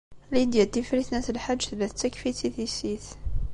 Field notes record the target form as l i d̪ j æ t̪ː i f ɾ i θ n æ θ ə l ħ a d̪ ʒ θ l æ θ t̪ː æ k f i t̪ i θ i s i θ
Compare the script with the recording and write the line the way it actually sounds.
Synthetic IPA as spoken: l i d̪ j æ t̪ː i f ɾ i θ n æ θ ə l ħ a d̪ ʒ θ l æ θ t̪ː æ k f i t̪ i θ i s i θ

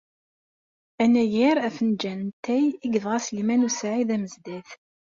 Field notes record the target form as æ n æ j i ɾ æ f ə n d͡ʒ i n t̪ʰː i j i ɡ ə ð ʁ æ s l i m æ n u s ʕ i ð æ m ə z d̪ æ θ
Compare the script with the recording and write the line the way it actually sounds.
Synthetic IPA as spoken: æ n æ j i ɾ æ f ə n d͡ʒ æ n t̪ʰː æ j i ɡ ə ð ʁ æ s l i m æ n u s ʕ i ð æ m ə z d̪ æ θ

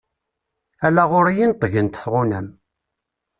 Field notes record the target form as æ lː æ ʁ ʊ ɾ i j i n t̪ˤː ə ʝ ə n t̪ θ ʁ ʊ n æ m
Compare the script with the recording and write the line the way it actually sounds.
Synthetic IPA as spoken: æ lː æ ʁ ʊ ɾ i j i n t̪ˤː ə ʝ ə n t̪ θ ʁ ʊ n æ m

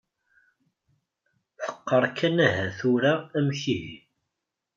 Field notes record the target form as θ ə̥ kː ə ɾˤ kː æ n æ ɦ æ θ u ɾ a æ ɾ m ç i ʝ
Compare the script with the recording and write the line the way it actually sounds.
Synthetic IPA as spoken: θ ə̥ qː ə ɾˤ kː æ n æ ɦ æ θ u ɾ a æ m ç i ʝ

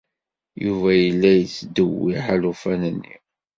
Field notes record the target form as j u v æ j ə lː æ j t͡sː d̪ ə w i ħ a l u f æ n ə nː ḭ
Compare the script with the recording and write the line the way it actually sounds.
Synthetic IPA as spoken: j u v æ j ə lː æ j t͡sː d̪ ə w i ħ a l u f æ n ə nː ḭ

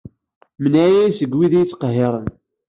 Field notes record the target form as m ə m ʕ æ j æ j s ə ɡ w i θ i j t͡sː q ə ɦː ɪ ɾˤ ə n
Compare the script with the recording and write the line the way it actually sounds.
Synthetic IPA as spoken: m ə n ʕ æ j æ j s ə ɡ w i ð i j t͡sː q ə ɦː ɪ ɾˤ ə n

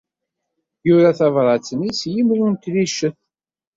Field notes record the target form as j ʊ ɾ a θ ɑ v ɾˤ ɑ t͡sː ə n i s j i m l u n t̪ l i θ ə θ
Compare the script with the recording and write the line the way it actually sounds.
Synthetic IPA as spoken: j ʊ ɾ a θ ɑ v ɾˤ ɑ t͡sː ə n i s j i m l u n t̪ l i ʃ ə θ

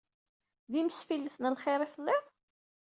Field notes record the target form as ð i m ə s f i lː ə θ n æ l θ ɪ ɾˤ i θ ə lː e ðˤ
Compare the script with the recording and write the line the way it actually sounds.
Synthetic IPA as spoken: ð i m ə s f i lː ə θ n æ l χ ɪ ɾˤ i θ ə lː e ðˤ

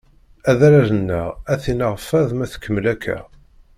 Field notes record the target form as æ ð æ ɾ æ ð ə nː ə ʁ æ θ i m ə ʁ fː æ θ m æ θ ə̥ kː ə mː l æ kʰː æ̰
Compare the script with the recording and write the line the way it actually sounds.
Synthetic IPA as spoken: æ ð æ ɾ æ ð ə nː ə ʁ æ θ i n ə ʁ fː æ ð m æ θ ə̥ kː ə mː l æ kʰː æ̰

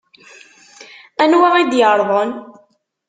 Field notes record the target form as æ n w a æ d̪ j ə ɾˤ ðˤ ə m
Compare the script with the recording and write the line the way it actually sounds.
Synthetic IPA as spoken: æ n w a i d̪ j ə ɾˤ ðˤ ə n

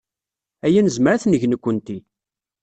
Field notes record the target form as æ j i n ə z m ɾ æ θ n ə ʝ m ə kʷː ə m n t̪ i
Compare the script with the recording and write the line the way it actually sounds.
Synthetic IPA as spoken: æ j æ n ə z m ɾ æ θ n ə ʝ n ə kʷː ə n t̪ i

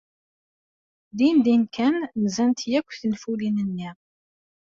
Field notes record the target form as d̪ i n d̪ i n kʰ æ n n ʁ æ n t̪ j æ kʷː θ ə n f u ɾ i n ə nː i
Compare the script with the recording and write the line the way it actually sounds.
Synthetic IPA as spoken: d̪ i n d̪ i n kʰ æ n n z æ n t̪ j æ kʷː θ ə n f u l i n ə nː i

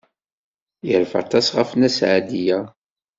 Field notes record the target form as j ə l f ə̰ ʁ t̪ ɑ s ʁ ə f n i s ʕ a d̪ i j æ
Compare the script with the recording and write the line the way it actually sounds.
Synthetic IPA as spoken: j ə ɾ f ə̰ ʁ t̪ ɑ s ʁ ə f n æ s ʕ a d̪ i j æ

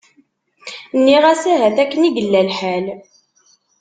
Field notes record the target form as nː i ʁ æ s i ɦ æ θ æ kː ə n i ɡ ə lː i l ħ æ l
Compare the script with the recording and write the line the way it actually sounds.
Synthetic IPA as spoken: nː i ʁ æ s æ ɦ æ θ æ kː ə n i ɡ ə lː æ l ħ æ l

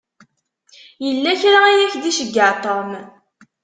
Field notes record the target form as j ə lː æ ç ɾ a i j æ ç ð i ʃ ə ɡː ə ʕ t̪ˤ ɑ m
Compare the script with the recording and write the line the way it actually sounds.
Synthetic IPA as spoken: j ə lː æ ç ɾ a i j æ ç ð i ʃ ə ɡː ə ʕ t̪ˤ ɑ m

